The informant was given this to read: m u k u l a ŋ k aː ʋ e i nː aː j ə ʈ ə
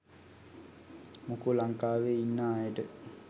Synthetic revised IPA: m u k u l a ŋ k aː ʋ e i nː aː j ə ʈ ə